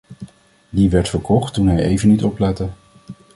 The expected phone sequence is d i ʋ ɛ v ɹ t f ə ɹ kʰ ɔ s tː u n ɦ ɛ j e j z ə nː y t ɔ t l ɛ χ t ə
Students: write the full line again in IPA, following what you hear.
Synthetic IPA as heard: d i ʋ ɛ ɹ t f ə ɹ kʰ ɔ χ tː u n ɦ ɛ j e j v ə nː i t ɔ p l ɛ t ə